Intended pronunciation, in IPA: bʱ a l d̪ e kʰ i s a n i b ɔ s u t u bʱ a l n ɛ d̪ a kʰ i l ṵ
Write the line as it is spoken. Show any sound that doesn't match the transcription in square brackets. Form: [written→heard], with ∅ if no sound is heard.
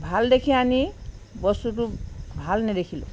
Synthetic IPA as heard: bʱ a l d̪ e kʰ i [s→∅] a n i b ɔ s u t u bʱ a l n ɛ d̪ [a→e] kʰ i l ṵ